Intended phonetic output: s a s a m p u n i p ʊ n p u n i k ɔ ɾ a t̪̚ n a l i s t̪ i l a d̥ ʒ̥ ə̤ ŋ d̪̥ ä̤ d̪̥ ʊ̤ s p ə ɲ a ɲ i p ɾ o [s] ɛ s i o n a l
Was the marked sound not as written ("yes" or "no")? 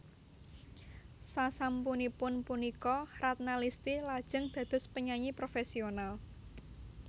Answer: yes